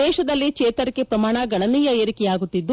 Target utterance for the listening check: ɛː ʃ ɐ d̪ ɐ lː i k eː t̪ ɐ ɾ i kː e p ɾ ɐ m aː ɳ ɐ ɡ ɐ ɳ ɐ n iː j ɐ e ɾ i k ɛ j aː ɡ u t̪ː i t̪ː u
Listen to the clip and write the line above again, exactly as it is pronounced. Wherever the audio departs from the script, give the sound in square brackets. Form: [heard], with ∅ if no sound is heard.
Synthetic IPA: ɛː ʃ ɐ d̪ ɐ lː i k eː t̪ ɐ ɾ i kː e p ɾ ɐ m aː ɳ ɐ ɡ ɐ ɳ ɐ n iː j ɐ e ɾ i k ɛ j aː ɡ u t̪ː i [d̪ː] u